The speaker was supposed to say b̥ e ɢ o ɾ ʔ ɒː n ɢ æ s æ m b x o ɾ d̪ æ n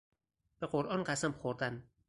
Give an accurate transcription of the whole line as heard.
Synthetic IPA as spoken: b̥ e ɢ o ɾ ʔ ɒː n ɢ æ s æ m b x o ɾ d̪ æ n